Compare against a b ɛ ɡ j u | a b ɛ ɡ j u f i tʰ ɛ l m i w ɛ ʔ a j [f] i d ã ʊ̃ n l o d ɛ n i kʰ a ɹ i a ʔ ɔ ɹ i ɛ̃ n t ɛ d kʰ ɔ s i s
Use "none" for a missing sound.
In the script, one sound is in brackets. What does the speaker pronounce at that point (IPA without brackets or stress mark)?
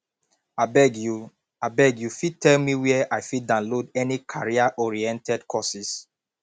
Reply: f